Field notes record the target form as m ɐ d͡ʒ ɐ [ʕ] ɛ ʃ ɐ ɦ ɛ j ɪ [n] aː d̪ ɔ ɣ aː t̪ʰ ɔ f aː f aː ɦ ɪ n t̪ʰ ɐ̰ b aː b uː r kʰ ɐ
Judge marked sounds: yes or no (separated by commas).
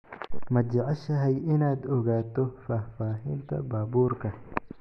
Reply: yes, yes